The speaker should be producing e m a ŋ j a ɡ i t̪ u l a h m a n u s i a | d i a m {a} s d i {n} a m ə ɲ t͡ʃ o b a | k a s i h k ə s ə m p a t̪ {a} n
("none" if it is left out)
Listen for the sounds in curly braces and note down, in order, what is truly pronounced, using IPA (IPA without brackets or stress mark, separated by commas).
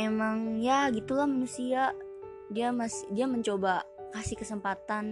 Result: a, none, a